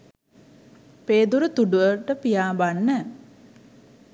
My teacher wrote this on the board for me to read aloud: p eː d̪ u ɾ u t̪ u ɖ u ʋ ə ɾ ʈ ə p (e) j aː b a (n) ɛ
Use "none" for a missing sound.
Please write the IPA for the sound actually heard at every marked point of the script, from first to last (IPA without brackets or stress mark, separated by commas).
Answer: i, nː